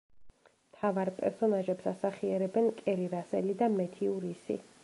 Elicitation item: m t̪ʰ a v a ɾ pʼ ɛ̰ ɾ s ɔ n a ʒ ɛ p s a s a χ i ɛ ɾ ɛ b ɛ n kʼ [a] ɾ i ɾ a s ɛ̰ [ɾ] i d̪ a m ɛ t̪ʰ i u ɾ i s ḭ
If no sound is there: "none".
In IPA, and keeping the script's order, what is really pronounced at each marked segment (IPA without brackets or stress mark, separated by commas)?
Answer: ɛ, l